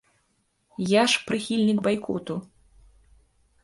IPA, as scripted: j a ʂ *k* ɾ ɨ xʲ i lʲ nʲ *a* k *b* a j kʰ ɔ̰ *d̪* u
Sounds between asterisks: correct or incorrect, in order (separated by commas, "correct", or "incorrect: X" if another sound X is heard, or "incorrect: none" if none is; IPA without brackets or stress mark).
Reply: incorrect: p, incorrect: i, correct, incorrect: t̪